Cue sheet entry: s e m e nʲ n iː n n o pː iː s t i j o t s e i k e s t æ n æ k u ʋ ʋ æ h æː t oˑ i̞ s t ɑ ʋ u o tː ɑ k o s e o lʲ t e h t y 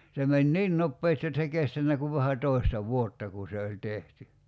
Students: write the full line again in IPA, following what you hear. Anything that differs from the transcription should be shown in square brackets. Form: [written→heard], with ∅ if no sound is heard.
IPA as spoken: s e m e nʲ n iː n n o pː [iː→eː] s t i j o t s e i k e s t æ [n→nː] æ k u ʋ ʋ æ h [æː→æ] t oˑ i̞ s t ɑ ʋ u o tː ɑ k [o→u] s e o lʲ t e h t y